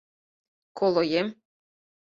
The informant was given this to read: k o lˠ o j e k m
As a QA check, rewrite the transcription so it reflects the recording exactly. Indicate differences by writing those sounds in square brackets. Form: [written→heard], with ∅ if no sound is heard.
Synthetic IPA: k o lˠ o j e [k→∅] m